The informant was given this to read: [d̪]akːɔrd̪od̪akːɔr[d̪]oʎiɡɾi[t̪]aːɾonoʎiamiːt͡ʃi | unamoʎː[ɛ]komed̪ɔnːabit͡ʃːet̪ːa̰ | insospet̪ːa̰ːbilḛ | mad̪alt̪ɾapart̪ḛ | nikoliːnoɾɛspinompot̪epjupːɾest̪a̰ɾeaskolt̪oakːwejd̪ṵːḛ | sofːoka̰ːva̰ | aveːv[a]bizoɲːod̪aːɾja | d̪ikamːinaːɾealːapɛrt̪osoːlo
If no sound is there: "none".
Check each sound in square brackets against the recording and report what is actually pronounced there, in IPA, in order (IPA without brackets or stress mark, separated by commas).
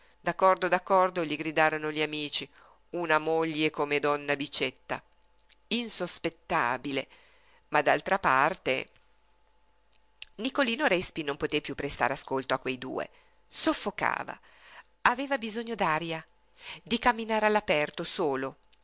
d̪, d̪, d̪, e, a